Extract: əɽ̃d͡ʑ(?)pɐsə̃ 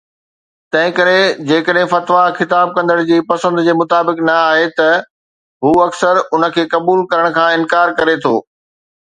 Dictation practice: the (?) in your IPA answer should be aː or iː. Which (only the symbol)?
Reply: iː